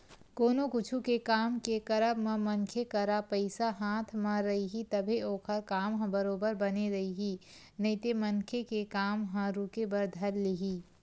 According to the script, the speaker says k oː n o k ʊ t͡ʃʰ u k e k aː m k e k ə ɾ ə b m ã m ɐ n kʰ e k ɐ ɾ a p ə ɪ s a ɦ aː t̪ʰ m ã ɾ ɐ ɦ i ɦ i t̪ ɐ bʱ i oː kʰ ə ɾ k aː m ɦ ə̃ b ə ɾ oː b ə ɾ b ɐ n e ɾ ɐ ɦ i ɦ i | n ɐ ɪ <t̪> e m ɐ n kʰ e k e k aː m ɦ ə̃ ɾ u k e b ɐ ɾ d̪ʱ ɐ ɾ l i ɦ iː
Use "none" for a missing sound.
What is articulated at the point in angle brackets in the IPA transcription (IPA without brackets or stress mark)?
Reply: t̪